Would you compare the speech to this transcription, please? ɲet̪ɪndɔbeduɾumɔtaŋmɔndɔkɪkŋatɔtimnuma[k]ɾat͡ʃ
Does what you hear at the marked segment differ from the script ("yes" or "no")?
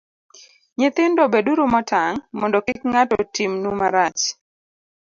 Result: yes